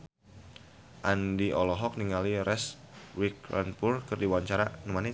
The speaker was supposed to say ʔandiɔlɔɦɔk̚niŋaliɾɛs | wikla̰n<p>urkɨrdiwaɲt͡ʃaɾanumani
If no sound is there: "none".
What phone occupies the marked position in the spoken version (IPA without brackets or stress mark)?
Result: p